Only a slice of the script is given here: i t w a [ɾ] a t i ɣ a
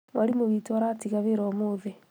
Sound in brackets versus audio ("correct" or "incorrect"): correct